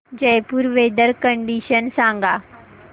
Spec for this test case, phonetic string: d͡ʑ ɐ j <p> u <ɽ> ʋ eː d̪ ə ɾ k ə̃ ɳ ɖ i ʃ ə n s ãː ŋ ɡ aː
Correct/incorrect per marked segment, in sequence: correct, incorrect

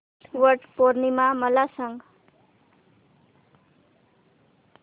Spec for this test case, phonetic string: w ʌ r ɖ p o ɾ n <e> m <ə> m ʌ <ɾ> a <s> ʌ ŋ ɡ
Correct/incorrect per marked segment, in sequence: incorrect, incorrect, incorrect, correct

